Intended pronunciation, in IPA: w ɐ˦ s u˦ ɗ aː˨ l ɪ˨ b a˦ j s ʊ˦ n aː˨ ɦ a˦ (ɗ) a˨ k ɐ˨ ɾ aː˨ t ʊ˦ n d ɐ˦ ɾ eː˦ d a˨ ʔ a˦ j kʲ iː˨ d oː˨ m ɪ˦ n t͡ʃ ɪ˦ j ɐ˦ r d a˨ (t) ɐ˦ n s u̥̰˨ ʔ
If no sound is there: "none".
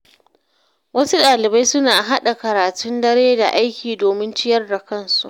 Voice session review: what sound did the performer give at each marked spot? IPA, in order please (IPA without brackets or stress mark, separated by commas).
ɗ, k